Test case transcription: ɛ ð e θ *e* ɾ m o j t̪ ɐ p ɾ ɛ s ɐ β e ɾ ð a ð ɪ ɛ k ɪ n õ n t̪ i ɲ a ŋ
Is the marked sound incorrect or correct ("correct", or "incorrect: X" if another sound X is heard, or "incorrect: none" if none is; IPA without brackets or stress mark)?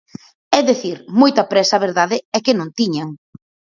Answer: incorrect: i